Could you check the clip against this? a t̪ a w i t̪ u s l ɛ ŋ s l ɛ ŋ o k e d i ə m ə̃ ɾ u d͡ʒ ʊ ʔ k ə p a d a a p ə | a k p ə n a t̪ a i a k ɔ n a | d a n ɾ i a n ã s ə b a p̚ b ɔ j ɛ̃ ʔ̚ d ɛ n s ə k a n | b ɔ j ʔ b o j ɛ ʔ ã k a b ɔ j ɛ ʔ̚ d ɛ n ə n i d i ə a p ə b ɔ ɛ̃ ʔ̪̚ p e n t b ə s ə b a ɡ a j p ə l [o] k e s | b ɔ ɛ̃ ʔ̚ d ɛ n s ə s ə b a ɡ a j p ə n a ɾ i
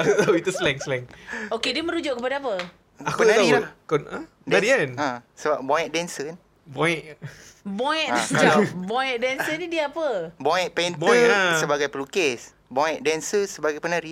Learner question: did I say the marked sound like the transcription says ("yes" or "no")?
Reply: no